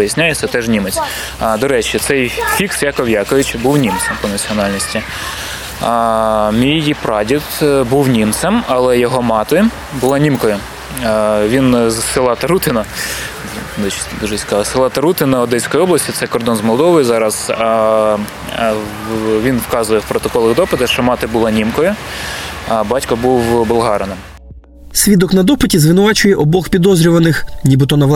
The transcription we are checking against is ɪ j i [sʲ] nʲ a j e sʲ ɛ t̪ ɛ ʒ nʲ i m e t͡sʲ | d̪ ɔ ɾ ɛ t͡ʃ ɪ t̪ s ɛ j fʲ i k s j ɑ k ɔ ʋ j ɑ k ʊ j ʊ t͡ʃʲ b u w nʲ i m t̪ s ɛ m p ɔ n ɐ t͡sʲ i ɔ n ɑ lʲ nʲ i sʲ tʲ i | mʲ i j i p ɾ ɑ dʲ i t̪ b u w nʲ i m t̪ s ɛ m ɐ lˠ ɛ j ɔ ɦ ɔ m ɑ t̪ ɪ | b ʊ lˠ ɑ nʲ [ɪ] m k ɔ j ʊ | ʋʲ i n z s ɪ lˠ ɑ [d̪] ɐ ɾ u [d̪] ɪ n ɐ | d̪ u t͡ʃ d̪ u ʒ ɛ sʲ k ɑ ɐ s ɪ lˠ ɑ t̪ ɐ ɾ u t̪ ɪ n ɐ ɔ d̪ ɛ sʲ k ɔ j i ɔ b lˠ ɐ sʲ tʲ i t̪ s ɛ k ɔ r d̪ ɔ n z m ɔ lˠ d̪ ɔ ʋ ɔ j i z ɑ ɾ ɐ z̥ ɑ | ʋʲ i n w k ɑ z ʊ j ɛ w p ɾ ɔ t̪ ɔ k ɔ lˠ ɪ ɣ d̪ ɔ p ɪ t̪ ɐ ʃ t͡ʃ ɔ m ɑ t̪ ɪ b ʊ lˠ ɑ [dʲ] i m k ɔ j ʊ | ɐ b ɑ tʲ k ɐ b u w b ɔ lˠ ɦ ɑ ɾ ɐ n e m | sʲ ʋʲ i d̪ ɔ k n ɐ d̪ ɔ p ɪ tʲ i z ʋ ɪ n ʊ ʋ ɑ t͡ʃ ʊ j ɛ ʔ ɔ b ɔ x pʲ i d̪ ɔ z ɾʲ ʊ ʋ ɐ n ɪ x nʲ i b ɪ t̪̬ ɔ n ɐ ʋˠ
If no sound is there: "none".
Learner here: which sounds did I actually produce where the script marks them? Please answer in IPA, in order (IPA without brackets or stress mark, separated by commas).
sʲ, i, t̪, t̪, nʲ